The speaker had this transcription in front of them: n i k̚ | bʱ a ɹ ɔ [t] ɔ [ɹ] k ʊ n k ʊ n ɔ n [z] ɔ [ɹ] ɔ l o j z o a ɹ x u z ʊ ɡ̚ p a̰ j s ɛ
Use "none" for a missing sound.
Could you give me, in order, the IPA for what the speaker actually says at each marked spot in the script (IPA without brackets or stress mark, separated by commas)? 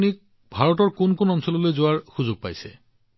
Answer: t, ɹ, s, l